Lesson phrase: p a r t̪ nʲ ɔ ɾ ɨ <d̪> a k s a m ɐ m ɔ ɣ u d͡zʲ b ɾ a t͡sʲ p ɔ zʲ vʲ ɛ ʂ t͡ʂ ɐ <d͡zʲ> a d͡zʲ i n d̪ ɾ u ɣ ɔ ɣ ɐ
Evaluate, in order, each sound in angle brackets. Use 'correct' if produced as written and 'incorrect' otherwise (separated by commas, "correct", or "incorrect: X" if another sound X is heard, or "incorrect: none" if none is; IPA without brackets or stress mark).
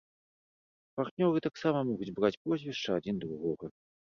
incorrect: t̪, incorrect: none